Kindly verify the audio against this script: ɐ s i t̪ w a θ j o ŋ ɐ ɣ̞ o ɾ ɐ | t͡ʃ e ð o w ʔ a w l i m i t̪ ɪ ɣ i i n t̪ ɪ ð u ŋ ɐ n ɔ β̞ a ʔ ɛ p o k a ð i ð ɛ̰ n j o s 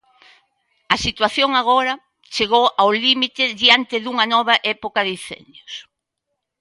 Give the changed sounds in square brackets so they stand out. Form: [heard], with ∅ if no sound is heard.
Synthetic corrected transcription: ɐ s i t̪ w a θ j o ŋ [a] ɣ̞ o ɾ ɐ | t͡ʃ e [ɣ] o w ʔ a w l i m i t̪ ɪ [ð] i [a] n t̪ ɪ ð u ŋ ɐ n ɔ β̞ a ʔ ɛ p o k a ð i [θ] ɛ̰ n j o s